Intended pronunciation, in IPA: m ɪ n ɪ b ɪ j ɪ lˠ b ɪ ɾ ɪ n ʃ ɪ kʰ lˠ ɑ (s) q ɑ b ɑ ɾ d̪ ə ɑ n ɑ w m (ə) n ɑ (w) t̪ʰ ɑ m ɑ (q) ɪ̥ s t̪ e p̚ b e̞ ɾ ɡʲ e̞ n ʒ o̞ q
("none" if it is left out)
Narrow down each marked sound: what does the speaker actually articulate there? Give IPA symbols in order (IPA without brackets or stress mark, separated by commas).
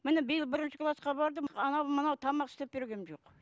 s, ə, w, q